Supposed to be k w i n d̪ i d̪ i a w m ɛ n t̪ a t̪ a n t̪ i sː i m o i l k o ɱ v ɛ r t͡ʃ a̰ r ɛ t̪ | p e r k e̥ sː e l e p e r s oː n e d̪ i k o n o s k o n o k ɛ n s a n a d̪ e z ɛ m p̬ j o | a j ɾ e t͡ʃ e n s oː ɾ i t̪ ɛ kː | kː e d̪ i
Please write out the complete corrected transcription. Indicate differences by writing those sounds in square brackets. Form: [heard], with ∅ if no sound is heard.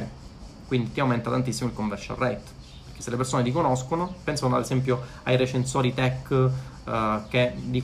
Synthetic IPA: k w i n d̪ i [t̪] i a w m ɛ n t̪ a t̪ a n t̪ i sː i m o i l k o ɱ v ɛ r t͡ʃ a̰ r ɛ t̪ | p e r k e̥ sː e l e p e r s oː n e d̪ i k o n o s k o n o [p] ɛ n s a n a d̪ e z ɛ m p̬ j o | a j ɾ e t͡ʃ e n s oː ɾ i t̪ ɛ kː | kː e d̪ i